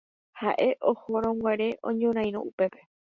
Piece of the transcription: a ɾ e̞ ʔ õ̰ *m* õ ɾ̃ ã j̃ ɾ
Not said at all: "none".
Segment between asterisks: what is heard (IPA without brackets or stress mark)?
ɲ